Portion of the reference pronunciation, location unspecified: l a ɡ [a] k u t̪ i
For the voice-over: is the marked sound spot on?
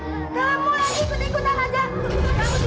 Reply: no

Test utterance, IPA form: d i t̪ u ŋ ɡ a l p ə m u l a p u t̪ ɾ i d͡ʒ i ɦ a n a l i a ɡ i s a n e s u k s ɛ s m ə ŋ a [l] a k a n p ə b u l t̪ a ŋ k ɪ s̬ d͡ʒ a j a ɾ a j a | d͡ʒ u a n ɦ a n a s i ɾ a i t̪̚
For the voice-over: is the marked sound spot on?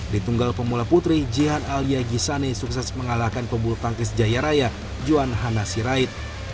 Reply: yes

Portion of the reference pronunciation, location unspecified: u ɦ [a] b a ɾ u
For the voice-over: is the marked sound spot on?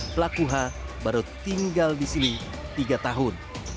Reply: yes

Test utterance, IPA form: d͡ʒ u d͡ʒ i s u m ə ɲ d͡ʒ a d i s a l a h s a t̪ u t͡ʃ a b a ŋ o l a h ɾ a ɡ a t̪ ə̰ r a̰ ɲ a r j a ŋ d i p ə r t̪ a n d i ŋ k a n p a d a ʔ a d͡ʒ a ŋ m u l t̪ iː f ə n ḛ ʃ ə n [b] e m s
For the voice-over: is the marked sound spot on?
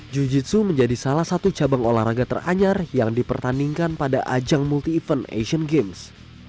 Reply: no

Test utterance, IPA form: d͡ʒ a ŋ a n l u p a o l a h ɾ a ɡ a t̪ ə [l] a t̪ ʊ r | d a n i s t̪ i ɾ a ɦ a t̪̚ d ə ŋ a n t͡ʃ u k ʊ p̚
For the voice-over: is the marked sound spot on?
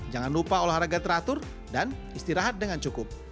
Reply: no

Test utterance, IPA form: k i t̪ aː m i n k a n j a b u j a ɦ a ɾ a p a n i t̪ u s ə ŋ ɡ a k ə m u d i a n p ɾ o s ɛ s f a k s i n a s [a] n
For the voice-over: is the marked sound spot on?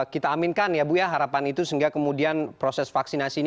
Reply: no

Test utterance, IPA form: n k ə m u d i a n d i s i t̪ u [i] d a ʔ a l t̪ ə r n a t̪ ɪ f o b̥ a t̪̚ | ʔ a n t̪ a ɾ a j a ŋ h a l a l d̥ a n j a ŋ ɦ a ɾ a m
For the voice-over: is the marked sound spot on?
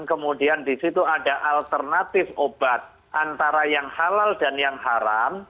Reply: no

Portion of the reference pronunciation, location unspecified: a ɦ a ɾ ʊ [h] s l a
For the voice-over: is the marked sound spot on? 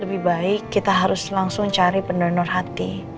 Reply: no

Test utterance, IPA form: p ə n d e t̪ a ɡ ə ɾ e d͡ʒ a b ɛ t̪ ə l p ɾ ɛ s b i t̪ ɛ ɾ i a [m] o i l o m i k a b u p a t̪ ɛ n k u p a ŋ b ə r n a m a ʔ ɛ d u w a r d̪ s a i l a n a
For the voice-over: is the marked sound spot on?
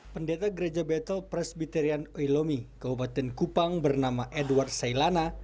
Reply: no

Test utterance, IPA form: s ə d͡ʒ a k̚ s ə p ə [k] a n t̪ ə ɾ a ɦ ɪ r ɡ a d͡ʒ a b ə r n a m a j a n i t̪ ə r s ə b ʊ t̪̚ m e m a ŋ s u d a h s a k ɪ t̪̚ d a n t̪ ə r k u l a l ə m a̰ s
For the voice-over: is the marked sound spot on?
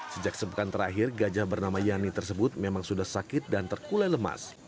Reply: yes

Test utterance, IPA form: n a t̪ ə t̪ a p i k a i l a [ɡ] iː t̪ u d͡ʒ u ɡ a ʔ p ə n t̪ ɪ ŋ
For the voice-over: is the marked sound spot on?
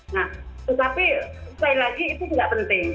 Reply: yes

